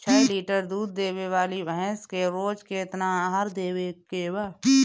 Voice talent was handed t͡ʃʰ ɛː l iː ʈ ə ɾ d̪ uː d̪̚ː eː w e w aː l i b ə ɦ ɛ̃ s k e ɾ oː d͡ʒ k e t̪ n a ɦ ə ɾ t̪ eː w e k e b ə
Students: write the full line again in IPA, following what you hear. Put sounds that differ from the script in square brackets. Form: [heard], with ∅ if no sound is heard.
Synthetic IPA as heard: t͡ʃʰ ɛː l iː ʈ ə ɾ d̪ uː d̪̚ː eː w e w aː l i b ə ɦ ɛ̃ s k e ɾ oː d͡ʒ k e t̪ n a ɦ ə ɾ [d̪] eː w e k e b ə